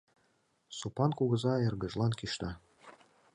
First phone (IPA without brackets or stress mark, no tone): s